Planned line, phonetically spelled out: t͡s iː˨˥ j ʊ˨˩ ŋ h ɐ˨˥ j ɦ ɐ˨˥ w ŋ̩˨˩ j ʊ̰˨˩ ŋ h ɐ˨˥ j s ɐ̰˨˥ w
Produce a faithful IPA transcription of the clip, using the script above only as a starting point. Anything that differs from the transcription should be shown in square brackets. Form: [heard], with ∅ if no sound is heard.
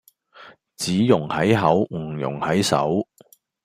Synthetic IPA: t͡s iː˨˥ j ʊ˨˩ ŋ h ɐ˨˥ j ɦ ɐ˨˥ w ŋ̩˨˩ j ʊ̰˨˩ ŋ h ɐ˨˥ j s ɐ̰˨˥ w